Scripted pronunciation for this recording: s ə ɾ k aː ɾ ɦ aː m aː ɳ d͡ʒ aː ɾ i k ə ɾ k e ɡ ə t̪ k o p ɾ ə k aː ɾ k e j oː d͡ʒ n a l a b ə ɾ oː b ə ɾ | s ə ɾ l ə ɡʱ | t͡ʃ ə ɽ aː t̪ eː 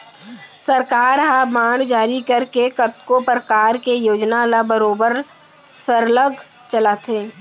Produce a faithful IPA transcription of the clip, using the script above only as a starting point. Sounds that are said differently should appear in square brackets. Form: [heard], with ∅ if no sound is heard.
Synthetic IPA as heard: s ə ɾ k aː ɾ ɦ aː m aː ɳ d͡ʒ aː ɾ i k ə ɾ k e [k] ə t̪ k o p ɾ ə k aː ɾ k e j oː d͡ʒ n a l a b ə ɾ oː b ə ɾ | s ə ɾ l ə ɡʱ | t͡ʃ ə [l] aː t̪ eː